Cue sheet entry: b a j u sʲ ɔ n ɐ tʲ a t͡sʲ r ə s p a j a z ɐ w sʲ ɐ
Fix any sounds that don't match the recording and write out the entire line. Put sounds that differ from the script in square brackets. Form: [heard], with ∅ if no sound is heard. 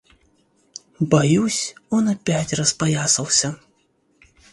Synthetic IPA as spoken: b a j u sʲ ɔ n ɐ [pʲ] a t͡sʲ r [ɐ] s p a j a [s] ɐ w sʲ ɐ